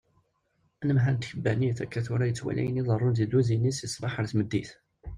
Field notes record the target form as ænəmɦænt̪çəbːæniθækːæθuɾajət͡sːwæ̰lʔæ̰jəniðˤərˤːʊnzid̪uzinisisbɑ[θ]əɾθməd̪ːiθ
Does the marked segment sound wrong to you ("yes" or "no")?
yes